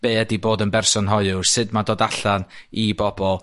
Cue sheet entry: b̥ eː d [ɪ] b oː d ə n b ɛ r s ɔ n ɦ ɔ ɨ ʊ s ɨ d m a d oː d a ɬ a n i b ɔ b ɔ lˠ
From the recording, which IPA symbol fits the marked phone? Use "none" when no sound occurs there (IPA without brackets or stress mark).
i